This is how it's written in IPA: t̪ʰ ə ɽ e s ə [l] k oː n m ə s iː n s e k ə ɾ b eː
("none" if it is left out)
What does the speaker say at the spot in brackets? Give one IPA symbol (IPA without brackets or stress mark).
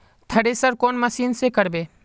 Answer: ɾ